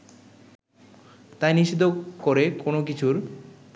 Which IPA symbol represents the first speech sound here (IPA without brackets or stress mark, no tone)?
t̪